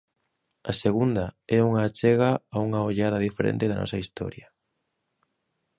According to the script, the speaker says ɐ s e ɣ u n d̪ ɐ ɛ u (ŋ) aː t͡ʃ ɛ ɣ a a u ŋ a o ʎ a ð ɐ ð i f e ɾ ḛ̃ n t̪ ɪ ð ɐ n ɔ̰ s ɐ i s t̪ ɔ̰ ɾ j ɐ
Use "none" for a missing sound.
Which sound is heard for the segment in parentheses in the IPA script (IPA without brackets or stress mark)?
ŋ